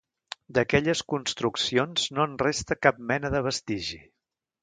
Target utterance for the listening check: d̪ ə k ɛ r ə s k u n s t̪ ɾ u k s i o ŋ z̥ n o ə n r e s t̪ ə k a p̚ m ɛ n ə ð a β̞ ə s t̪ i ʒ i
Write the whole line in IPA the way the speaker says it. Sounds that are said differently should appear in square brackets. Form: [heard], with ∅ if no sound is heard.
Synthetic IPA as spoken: d̪ ə k ɛ [ʎ] ə s k u n s t̪ ɾ u k s i o [n] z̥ n o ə n r e s t̪ ə k a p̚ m ɛ n ə ð [ə] β̞ ə s t̪ i ʒ i